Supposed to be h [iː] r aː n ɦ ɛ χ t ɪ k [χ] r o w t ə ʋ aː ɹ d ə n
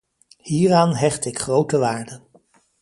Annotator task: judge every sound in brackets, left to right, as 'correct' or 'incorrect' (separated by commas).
correct, correct